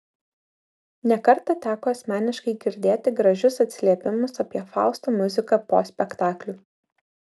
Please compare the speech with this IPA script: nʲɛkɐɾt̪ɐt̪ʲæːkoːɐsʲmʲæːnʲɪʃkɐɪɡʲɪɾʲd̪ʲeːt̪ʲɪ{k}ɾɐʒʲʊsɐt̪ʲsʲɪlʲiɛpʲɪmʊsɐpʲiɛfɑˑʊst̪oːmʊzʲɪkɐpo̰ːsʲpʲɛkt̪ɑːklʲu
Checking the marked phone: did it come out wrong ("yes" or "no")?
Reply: yes